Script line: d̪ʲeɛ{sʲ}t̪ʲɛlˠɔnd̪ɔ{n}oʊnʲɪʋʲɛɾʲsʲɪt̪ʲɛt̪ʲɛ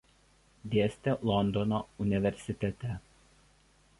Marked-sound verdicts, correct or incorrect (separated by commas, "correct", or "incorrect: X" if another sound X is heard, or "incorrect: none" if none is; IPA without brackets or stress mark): correct, correct